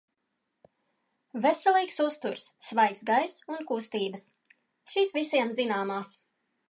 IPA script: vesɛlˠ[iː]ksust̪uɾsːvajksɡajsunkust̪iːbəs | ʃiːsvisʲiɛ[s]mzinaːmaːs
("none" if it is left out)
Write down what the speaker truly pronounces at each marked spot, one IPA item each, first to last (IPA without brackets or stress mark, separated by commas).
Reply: iː, none